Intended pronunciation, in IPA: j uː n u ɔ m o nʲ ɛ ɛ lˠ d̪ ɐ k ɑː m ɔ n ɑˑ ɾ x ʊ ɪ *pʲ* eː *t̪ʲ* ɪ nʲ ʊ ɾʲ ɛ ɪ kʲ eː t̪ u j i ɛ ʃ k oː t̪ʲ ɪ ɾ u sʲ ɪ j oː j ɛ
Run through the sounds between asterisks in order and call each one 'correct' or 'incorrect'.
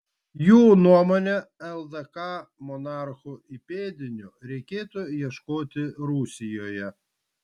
correct, incorrect

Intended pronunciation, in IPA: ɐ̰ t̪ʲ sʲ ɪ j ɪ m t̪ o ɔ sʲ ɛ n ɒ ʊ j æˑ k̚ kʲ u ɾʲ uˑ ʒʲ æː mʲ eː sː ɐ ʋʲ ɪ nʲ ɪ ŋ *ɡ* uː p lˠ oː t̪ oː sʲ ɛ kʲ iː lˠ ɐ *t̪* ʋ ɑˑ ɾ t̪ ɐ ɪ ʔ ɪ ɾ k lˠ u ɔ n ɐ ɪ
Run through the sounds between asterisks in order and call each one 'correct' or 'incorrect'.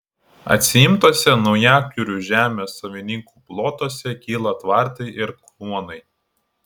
incorrect, correct

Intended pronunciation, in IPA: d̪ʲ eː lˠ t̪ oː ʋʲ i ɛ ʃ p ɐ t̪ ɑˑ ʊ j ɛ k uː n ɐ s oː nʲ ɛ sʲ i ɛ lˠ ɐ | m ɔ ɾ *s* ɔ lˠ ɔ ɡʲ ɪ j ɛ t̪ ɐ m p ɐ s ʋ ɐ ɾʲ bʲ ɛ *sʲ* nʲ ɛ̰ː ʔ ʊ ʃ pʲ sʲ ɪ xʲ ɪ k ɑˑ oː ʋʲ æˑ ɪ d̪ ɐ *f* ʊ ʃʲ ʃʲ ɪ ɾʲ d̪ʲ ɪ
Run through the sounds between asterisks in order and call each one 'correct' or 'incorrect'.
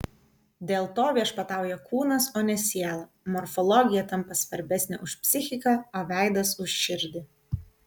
incorrect, correct, incorrect

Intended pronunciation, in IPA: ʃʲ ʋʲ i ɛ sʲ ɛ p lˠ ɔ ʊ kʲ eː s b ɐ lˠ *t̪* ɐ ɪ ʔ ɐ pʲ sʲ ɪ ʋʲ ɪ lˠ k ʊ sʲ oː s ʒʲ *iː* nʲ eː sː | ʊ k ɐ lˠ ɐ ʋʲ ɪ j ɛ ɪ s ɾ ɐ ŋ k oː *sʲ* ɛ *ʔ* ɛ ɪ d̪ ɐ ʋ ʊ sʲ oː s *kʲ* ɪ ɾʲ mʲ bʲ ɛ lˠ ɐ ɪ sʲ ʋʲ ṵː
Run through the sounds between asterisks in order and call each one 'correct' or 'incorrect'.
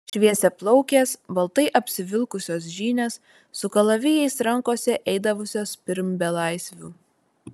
correct, correct, correct, correct, incorrect

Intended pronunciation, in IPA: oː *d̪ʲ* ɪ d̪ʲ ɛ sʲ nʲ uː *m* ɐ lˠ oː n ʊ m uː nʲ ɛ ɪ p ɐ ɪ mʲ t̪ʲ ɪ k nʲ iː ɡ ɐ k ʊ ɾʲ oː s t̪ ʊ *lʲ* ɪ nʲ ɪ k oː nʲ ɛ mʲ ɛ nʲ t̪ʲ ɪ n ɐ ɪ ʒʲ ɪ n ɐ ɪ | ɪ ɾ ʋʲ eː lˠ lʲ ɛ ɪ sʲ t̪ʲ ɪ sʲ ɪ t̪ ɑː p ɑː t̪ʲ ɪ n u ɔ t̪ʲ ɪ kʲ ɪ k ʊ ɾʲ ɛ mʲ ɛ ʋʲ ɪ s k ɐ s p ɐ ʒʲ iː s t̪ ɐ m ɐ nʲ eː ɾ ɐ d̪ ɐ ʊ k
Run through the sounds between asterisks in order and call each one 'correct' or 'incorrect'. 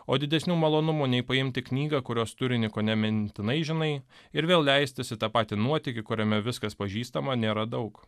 correct, correct, incorrect

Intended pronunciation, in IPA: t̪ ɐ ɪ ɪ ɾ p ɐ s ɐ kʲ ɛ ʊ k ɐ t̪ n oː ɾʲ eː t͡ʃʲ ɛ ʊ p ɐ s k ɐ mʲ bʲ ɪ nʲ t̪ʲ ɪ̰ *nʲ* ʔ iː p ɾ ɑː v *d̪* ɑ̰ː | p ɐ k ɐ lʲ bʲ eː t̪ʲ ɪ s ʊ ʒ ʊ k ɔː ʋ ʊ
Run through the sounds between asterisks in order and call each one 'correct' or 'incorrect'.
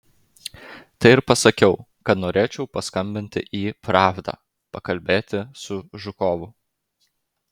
incorrect, correct

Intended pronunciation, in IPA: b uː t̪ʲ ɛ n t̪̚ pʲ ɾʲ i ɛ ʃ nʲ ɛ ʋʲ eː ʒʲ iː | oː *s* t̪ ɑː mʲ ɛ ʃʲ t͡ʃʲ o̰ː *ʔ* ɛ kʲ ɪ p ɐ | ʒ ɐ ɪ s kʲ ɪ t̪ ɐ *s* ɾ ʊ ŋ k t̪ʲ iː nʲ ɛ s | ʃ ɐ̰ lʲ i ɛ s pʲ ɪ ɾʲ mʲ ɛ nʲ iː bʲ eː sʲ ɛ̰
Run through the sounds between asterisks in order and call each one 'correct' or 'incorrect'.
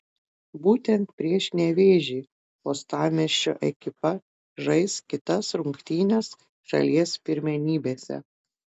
correct, correct, correct

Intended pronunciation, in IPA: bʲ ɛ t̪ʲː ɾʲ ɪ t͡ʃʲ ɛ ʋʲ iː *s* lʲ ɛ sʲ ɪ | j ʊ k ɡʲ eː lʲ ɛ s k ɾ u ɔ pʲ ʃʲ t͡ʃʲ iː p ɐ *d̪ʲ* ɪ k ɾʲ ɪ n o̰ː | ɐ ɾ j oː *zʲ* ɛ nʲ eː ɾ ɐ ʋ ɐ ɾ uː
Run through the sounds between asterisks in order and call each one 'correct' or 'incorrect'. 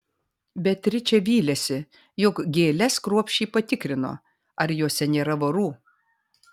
incorrect, incorrect, incorrect

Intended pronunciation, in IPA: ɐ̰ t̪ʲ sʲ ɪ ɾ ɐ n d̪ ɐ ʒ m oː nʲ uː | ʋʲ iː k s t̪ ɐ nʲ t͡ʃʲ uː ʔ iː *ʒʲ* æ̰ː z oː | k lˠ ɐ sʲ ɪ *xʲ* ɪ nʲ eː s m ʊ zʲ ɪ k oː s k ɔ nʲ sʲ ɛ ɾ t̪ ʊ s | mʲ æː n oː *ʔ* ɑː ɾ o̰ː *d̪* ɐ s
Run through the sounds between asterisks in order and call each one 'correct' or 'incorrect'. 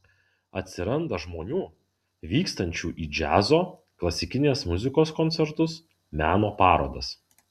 incorrect, incorrect, incorrect, correct

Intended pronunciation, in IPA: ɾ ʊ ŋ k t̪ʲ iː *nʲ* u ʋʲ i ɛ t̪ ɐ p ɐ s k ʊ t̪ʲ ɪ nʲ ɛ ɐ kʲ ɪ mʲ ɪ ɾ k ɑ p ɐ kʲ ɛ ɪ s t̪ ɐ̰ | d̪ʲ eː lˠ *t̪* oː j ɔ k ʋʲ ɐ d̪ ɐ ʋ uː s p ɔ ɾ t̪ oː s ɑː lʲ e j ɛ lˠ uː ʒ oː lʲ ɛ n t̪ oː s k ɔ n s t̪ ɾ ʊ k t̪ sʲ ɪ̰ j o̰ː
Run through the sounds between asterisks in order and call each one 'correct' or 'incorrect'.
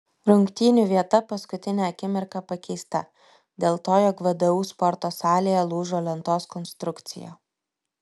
correct, correct

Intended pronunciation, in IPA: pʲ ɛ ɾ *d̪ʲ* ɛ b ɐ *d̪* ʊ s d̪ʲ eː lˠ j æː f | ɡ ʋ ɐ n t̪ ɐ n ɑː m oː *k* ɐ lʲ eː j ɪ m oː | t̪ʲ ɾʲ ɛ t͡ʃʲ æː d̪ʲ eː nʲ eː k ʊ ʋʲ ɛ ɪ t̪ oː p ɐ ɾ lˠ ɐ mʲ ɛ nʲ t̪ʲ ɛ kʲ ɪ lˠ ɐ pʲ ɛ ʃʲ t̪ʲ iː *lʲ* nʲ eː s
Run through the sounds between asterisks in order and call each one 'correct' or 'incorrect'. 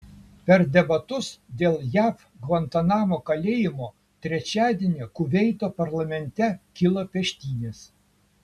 correct, incorrect, correct, incorrect

